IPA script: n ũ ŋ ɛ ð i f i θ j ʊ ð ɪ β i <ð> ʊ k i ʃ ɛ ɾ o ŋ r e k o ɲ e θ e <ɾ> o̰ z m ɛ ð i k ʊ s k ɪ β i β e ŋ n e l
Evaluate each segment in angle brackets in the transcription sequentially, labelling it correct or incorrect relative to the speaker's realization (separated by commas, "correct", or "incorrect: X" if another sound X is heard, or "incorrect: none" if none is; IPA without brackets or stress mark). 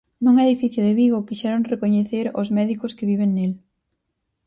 incorrect: ɣ, correct